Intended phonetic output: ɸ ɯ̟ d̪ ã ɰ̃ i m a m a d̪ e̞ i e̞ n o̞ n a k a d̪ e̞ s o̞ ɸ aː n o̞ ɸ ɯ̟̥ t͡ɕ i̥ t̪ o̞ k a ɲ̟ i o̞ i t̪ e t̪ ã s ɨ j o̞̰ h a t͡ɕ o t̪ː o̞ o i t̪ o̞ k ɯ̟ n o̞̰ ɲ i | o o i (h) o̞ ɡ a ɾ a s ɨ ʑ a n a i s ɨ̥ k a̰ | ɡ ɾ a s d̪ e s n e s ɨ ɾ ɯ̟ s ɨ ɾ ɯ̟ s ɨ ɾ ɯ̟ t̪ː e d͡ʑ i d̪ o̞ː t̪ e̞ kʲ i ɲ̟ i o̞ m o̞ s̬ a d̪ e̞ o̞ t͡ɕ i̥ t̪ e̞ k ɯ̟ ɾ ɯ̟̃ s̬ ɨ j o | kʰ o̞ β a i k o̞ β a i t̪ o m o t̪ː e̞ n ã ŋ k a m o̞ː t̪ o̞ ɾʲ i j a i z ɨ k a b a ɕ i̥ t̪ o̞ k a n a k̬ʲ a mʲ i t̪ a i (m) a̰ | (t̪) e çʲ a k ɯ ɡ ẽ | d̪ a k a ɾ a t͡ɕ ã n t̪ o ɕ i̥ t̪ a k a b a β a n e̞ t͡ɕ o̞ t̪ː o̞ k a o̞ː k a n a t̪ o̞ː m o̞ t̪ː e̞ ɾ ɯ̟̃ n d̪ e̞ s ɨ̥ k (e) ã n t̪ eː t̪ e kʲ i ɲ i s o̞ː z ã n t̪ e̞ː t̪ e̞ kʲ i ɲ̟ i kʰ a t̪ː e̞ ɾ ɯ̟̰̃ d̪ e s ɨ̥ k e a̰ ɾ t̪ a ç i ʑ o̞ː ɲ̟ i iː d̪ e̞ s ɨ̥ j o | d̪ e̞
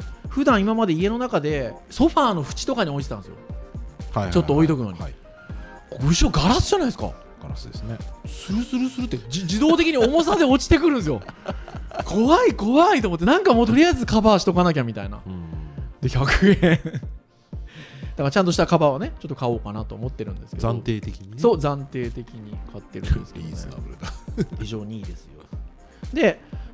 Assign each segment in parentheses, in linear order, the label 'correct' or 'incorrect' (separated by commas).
incorrect, incorrect, incorrect, correct